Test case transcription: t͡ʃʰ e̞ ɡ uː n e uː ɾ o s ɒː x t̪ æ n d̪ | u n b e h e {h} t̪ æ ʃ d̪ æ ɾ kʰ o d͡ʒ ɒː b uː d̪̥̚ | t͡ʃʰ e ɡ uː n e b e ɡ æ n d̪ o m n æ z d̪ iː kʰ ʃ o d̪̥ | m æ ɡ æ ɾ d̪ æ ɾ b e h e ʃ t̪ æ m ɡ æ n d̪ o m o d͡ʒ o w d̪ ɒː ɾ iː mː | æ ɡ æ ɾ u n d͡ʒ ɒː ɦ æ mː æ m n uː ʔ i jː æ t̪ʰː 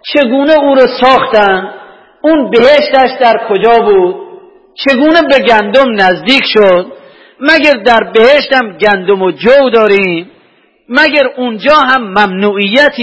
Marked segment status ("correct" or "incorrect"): incorrect